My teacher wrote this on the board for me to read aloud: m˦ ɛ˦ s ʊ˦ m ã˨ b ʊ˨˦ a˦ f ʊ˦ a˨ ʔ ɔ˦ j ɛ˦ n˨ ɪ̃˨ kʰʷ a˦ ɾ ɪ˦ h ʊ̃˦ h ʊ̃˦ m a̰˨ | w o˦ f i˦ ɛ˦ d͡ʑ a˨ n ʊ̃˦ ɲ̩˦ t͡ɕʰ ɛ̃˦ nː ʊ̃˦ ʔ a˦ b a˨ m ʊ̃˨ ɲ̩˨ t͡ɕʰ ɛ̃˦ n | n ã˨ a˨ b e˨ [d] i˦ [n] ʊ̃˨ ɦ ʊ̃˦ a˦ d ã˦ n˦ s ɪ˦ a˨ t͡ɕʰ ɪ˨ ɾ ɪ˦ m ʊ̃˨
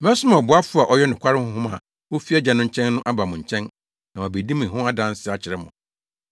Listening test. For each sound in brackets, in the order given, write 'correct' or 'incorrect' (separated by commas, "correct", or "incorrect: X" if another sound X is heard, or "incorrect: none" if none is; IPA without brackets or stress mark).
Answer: correct, incorrect: m